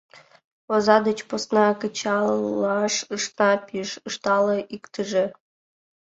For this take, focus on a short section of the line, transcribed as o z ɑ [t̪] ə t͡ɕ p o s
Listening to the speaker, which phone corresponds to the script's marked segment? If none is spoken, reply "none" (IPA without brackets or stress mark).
d̪